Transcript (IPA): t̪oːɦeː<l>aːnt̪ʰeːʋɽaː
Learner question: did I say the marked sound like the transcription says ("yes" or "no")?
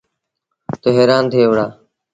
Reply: no